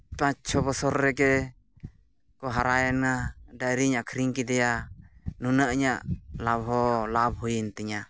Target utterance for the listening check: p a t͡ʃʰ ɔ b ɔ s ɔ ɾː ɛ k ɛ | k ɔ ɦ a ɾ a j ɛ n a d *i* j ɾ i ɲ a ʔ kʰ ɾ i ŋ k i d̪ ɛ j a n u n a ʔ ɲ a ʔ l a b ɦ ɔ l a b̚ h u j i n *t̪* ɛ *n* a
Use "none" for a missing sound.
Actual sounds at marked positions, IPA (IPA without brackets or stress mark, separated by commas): a, t̪, ɲ